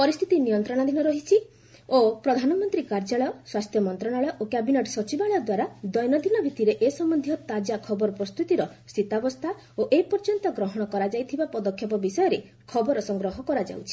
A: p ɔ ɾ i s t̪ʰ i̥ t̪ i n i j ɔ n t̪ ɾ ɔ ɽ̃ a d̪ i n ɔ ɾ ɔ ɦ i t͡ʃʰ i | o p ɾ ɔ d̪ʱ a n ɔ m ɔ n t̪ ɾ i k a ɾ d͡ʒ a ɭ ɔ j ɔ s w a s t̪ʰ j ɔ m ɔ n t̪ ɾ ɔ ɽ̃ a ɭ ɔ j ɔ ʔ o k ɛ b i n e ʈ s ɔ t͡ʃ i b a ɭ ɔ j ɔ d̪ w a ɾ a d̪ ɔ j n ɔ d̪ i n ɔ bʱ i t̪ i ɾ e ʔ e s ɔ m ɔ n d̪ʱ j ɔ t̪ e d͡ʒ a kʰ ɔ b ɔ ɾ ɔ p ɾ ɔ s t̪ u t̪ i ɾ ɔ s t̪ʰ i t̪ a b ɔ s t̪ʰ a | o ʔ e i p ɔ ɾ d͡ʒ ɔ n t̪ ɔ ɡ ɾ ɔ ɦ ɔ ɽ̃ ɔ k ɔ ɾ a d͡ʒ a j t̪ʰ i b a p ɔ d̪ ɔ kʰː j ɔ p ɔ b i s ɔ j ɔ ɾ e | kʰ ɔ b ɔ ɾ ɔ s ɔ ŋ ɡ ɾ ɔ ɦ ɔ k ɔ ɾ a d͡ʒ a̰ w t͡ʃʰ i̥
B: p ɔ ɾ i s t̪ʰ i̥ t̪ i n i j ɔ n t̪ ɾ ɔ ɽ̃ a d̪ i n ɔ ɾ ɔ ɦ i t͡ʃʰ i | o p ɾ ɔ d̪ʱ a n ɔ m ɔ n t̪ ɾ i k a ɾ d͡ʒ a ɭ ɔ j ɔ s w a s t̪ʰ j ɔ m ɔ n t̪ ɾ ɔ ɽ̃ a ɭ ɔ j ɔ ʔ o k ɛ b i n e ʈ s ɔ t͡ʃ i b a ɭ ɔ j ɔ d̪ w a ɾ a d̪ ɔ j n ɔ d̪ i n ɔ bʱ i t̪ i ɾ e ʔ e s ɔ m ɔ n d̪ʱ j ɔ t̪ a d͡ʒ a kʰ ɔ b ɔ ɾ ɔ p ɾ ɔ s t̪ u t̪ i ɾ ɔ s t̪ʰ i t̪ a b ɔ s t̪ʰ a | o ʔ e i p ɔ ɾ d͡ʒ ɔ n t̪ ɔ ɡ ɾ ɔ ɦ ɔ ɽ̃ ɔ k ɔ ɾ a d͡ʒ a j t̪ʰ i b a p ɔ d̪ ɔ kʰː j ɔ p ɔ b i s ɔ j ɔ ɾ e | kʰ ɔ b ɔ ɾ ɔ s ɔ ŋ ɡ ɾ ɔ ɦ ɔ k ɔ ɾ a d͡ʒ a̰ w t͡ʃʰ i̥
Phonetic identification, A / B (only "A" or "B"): B